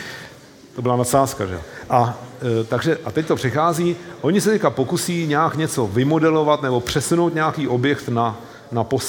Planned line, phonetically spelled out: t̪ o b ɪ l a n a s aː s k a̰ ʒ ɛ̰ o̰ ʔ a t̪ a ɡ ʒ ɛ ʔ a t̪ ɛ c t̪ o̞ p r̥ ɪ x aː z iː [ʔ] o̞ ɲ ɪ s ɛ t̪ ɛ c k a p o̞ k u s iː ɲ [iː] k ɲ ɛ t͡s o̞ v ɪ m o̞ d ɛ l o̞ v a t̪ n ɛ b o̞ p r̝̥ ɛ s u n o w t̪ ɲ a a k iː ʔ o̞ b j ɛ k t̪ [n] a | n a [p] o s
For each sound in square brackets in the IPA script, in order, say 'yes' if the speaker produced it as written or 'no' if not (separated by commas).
yes, no, yes, yes